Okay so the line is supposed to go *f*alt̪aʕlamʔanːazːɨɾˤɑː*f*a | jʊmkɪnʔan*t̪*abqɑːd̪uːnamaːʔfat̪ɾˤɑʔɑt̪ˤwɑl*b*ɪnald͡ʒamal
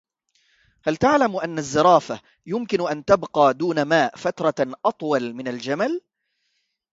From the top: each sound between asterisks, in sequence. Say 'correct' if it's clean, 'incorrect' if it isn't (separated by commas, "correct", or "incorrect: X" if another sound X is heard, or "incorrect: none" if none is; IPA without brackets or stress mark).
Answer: incorrect: h, correct, correct, incorrect: m